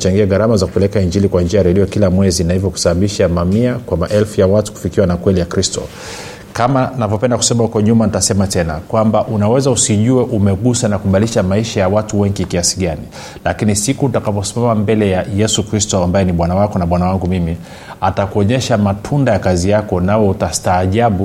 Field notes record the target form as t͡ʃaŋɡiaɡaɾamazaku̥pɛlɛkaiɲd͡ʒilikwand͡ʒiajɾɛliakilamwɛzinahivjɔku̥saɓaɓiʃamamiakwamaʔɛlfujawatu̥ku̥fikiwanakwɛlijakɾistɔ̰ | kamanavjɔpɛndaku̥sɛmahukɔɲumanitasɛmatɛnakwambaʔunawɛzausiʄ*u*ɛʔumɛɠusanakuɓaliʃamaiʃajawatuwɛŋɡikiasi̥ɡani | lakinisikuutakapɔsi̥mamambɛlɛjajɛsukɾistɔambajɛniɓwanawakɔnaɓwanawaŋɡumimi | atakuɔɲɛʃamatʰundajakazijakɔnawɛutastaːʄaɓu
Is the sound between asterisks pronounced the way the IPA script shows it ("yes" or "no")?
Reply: yes